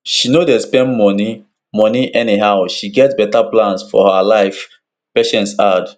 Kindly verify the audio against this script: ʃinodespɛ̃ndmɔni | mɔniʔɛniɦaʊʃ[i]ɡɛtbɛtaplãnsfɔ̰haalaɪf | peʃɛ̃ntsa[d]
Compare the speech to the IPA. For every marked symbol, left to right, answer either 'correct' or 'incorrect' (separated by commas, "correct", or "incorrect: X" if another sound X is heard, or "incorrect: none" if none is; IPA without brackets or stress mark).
correct, correct